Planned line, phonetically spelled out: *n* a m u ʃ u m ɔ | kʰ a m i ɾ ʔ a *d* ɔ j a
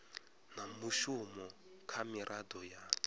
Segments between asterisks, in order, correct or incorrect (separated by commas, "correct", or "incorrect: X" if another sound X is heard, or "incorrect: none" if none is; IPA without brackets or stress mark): correct, correct